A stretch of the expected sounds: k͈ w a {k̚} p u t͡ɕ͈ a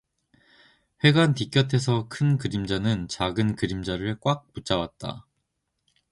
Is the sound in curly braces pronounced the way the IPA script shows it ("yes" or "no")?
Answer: yes